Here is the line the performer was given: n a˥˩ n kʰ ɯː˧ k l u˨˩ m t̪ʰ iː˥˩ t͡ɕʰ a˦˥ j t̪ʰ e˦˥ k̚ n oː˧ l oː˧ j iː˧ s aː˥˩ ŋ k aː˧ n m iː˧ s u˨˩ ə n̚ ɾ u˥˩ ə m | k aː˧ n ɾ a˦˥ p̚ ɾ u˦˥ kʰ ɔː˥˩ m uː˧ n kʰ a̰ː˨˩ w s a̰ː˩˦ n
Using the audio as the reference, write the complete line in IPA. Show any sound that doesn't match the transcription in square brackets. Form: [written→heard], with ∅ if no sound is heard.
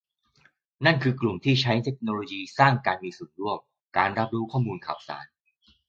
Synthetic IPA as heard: n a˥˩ n kʰ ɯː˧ k l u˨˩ m t̪ʰ iː˥˩ t͡ɕʰ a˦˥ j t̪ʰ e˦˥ k̚ n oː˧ l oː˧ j iː˧ s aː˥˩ ŋ k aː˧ n m iː˧ s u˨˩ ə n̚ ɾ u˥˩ ə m | k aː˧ n ɾ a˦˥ p̚ ɾ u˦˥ kʰ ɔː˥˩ m uː˧ n kʰ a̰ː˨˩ w s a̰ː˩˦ n